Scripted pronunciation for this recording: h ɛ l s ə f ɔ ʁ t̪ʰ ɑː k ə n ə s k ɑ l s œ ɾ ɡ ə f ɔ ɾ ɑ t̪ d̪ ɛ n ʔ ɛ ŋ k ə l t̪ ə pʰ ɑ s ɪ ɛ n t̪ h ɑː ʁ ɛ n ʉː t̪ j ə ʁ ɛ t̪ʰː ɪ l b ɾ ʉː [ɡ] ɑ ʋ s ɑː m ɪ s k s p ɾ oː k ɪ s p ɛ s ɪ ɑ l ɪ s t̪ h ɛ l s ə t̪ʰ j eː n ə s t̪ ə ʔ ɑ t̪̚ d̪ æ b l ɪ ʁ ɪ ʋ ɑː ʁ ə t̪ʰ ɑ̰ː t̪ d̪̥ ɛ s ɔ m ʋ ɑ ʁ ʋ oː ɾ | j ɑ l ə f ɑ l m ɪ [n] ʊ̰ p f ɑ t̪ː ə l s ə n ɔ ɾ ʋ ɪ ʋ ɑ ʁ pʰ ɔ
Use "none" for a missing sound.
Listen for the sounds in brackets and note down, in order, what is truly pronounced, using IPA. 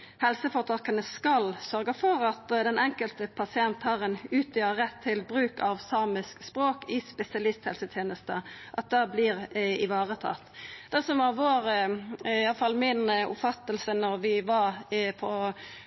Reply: k, n

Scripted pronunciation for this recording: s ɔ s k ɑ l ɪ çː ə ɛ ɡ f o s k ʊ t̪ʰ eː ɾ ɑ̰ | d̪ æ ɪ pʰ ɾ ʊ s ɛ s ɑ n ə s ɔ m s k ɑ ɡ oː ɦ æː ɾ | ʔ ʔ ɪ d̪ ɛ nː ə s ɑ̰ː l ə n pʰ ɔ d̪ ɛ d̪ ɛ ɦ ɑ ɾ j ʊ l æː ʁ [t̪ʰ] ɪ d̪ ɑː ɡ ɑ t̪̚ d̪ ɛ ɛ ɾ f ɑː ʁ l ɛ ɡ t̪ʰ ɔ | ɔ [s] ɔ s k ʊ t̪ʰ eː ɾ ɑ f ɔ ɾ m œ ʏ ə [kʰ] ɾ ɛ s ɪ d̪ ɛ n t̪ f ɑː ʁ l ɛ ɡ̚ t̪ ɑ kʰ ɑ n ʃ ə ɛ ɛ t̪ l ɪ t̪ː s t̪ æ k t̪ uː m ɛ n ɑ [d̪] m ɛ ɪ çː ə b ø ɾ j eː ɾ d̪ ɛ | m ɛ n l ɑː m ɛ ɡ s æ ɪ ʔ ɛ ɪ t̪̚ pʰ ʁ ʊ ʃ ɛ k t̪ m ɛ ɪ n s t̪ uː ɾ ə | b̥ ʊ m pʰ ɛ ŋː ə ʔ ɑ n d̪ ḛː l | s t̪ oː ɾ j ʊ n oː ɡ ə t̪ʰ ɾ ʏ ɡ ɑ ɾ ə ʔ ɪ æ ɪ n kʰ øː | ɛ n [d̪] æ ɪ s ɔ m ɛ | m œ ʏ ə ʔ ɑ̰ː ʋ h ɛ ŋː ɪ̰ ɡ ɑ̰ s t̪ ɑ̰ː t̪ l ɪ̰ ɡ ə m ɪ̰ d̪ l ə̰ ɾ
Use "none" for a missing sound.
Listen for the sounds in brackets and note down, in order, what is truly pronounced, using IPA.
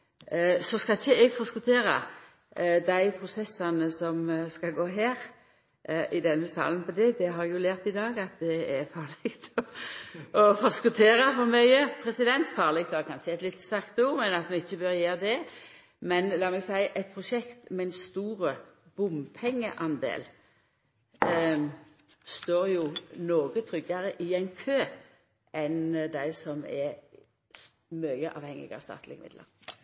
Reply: t̪, f, pʰ, t̪, d̪

